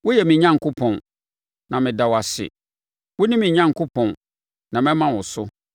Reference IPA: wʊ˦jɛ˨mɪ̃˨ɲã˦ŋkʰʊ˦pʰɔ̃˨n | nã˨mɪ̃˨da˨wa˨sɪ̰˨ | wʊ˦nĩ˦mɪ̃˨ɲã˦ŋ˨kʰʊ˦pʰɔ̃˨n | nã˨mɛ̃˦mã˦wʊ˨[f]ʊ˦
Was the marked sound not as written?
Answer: yes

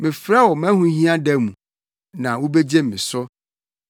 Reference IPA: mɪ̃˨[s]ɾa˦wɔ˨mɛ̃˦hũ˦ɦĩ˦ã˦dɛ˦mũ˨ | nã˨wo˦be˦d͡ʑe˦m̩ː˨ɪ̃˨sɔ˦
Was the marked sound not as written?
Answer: yes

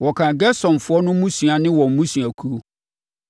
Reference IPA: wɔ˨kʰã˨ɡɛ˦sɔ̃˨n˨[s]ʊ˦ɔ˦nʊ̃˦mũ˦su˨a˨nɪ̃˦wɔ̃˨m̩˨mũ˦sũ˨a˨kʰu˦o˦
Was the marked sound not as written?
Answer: yes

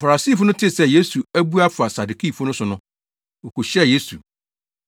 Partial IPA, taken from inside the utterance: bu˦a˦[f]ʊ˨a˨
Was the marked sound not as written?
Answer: no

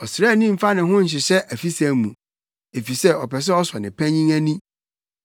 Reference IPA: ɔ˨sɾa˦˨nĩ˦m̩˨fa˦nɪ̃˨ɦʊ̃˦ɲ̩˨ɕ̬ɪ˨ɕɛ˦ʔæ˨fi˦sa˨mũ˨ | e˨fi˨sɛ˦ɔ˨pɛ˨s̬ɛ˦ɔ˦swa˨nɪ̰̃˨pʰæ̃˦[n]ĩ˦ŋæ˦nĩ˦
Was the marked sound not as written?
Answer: yes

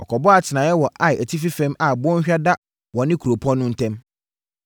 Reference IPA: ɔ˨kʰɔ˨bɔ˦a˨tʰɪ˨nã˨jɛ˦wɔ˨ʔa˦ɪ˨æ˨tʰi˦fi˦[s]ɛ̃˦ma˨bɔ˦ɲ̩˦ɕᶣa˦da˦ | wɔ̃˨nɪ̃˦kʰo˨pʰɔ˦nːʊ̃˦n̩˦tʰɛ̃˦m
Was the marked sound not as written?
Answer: yes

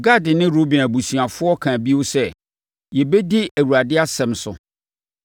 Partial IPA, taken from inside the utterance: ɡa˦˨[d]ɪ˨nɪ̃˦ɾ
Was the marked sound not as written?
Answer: no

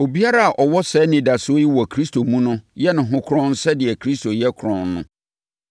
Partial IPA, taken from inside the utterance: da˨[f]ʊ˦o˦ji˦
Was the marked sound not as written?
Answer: yes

